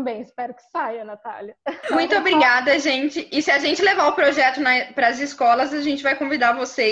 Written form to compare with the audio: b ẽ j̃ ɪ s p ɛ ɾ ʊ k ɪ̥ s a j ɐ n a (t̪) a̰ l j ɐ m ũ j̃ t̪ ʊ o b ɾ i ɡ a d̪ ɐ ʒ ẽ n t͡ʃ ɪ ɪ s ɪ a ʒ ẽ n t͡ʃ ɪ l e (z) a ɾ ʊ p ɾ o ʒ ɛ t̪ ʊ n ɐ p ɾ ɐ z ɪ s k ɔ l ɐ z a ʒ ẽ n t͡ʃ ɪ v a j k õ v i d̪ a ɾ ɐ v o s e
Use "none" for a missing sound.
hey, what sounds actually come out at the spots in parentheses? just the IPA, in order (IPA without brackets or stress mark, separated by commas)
t̪, v